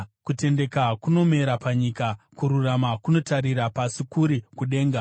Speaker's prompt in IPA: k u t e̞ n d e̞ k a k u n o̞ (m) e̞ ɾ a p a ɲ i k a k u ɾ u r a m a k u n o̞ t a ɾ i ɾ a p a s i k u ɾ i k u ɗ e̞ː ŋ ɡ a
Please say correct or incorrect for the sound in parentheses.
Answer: correct